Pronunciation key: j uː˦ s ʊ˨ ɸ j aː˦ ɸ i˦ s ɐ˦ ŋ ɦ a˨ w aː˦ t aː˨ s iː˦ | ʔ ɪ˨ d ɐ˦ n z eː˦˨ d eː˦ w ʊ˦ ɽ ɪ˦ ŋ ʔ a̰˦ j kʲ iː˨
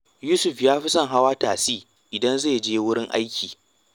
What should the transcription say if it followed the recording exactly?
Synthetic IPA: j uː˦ s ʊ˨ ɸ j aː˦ ɸ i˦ s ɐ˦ ŋ ɦ a˦ w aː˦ t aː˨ s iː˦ | ʔ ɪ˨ d ɐ˦ n z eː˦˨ d͡ʒ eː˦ w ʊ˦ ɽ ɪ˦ ŋ ʔ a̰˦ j kʲ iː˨